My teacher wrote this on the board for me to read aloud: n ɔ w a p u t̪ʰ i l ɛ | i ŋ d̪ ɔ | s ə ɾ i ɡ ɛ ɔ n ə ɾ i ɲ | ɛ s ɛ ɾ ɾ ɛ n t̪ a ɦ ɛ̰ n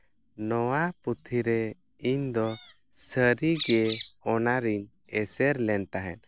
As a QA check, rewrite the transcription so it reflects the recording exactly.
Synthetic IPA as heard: n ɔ w a p u t̪ʰ i ɾ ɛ | i ɲ d̪ ɔ | s ə ɾ i ɡ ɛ ɔ n a ɾ i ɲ | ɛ s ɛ ɾ l ɛ n t̪ a ɦ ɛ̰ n